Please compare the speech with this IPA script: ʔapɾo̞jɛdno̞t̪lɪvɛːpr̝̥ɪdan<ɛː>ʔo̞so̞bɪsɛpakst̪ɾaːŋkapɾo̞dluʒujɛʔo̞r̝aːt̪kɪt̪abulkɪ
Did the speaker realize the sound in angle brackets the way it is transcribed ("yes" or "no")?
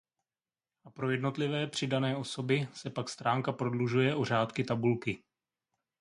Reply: yes